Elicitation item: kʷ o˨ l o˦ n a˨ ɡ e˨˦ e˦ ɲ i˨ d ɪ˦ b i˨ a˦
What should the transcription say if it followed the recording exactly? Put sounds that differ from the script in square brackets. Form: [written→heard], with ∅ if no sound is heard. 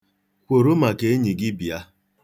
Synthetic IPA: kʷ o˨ [l→ɾ] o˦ [n→m] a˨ [ɡ→k] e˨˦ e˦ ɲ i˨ [d→ɡ] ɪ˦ b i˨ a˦